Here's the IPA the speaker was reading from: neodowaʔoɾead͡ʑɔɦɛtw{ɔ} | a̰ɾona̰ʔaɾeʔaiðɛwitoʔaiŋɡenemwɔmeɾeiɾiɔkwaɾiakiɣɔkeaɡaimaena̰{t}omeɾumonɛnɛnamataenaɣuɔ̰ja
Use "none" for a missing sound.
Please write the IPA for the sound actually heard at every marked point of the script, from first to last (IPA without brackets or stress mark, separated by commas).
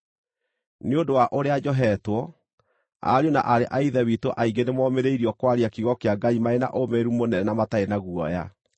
ɔ, ʔ